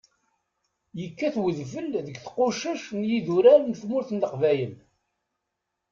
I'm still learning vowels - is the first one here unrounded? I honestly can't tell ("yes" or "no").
yes